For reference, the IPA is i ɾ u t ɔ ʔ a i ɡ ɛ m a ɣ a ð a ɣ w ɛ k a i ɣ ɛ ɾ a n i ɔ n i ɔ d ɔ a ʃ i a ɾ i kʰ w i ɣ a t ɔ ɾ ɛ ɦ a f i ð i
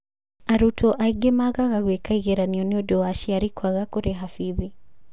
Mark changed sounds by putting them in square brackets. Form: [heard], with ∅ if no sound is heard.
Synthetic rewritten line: [a] ɾ u t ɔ ʔ a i ɡ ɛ m a ɣ a [ɣ] a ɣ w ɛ k a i ɣ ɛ ɾ a n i ɔ n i ɔ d ɔ a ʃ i a ɾ i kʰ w [a] ɣ a [k] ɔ ɾ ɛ ɦ a f i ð i